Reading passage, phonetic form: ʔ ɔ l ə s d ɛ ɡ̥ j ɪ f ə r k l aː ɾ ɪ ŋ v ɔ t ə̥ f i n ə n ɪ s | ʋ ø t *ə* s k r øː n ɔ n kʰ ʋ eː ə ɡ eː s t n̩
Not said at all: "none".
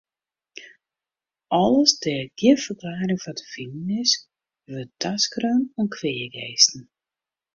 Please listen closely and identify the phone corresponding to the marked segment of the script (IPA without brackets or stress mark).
a